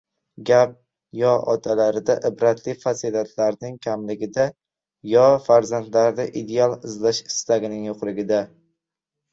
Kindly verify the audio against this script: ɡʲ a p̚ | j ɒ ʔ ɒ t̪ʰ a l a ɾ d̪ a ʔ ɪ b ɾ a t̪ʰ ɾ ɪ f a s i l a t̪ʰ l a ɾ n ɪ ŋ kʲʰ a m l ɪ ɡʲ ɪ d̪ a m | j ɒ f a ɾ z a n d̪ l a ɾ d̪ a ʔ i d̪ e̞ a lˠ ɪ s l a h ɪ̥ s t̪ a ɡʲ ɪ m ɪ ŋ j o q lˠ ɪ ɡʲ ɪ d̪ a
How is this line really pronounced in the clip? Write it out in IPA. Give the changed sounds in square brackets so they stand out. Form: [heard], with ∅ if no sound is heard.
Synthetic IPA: ɡʲ a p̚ | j ɒ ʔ ɒ t̪ʰ a l a ɾ d̪ a ʔ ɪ b ɾ a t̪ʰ [l] ɪ f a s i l a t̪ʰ l a ɾ n ɪ ŋ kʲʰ a m l ɪ ɡʲ ɪ d̪ a [∅] | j ɒ f a ɾ z a n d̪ l a ɾ d̪ a ʔ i d̪ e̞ a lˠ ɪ [z] l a [ʃ] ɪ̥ s t̪ a ɡʲ ɪ [n] ɪ ŋ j o q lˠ ɪ ɡʲ ɪ d̪ a